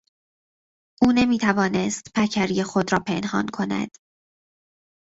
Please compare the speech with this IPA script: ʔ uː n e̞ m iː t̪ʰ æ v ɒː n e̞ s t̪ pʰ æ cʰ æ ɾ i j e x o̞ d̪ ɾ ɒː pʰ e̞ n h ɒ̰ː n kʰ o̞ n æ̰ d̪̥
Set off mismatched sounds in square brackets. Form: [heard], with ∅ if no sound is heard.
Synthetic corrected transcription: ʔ uː n e̞ m iː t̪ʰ æ v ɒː n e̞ s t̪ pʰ æ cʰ æ ɾ i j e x o̞ d̪ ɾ ɒː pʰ e̞ n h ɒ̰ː n kʰ o̞ n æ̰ d̪̥

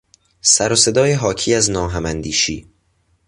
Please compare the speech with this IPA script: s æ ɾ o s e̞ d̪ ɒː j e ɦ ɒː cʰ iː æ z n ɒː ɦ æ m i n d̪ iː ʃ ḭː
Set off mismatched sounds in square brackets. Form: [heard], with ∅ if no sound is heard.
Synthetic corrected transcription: s æ ɾ o s e̞ d̪ ɒː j e ɦ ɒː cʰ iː æ z n ɒː ɦ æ m [æ] n d̪ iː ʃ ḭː

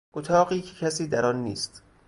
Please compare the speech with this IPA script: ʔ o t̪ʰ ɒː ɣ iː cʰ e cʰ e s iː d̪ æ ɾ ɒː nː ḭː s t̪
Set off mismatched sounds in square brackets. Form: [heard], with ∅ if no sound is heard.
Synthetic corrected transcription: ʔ o t̪ʰ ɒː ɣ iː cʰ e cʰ [æ] s iː d̪ æ ɾ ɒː nː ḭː s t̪

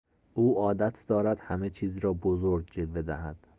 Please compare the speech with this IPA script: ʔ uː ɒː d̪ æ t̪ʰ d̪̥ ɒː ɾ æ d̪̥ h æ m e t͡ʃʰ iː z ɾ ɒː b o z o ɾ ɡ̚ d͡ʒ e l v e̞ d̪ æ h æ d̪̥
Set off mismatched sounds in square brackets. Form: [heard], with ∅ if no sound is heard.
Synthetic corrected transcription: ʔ uː ɒː d̪ æ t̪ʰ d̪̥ ɒː ɾ æ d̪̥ h æ m e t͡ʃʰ iː z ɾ ɒː b o z o ɾ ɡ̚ d͡ʒ e l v e̞ d̪ æ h æ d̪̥

